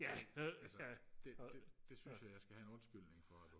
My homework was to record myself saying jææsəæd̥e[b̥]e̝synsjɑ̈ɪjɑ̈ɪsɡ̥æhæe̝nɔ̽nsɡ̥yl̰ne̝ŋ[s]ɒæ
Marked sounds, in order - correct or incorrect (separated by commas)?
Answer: incorrect, incorrect